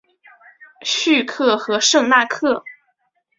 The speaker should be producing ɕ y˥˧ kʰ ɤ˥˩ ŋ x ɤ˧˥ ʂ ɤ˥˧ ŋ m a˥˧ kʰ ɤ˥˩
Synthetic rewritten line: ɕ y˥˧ kʰ ɤ˥˩ x ɤ˧˥ ʂ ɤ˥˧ ŋ n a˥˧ kʰ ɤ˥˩